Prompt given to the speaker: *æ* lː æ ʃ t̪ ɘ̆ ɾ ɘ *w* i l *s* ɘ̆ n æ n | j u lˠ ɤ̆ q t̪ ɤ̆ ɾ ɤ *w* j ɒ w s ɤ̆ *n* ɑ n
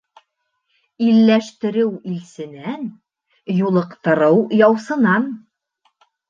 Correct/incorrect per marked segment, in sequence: incorrect: i, correct, correct, correct, correct

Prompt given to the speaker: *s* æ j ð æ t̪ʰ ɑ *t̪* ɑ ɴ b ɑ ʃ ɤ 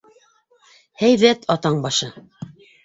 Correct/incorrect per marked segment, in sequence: incorrect: h, correct

